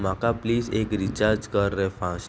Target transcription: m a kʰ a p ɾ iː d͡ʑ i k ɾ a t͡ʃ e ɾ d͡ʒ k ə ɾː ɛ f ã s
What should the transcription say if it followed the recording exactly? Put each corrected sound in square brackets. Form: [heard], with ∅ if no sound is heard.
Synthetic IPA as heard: m a [k] a p [l] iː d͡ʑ [e] k ɾ [i] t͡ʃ [a] ɾ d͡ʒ k ə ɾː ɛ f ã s